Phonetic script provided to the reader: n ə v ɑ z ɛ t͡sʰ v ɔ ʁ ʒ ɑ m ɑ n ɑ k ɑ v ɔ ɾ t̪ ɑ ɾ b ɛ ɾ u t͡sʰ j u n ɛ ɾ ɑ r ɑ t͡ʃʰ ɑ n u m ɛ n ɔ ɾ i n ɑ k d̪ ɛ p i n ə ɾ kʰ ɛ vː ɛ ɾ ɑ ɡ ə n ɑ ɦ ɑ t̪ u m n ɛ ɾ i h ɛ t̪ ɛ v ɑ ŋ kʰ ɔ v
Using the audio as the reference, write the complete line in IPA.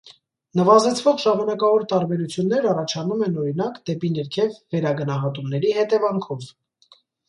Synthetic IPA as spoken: n ə v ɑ z ɛ t͡sʰ v ɔ ʁ ʒ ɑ m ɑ n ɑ k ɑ v ɔ ɾ t̪ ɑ ɾ b ɛ ɾ u t͡sʰ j u nː ɛ ɾ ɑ r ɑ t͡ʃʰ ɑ n u m ɛ n ɔ ɾ i n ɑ k d̪ ɛ p i n ə ɾ kʰ ɛ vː ɛ ɾ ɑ ɡ ə n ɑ ɦ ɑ t̪ u m n ɛ ɾ i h ɛ t̪ ɛ v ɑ ŋ kʰ ɔ v